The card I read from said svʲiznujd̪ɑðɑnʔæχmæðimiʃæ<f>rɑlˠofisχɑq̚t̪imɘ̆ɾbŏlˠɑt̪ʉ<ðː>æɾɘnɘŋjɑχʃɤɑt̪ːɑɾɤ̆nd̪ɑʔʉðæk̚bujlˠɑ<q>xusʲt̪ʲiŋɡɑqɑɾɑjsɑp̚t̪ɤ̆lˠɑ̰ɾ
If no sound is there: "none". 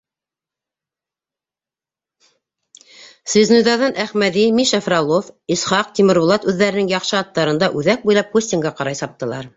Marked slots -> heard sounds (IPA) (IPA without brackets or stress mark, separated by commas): f, ðː, p